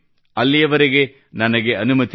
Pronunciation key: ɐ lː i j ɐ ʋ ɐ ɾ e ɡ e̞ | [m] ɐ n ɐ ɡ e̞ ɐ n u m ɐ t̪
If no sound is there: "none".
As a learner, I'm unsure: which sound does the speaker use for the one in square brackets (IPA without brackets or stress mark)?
n